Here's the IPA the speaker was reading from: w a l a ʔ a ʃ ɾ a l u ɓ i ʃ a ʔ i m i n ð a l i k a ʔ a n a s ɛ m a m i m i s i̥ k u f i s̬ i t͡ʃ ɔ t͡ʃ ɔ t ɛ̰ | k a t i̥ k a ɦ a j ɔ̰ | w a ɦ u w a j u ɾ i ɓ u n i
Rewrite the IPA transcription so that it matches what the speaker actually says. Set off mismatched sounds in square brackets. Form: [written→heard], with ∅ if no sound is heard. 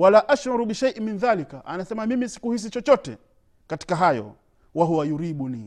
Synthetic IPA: w a l a ʔ a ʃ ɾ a [l→ɾ] u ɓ i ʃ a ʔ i m i n ð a l i k a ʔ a n a s ɛ m a m i m i s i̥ k u [f→h] i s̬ i t͡ʃ ɔ t͡ʃ ɔ t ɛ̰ | k a t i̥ k a ɦ a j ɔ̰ | w a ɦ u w a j u ɾ i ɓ u n i